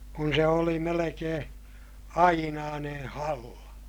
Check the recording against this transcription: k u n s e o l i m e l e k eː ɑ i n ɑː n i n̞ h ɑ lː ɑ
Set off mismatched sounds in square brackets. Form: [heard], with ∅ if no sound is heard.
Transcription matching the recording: k u n s e o l i m e l e k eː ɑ i n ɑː n [e] n̞ h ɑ lː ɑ